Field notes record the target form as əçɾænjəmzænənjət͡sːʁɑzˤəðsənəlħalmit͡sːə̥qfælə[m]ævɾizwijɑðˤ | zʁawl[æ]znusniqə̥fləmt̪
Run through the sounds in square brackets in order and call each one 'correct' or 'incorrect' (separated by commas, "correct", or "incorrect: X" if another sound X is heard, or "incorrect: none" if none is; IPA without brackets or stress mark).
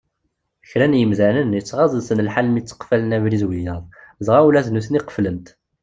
incorrect: n, correct